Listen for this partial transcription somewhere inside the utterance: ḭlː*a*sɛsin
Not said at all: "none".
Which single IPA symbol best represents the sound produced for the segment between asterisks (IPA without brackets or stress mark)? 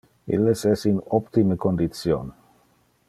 e